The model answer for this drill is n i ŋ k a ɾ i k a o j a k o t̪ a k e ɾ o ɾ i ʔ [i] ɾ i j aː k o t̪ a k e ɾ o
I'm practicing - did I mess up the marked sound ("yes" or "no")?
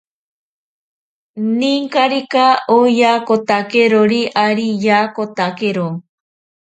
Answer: yes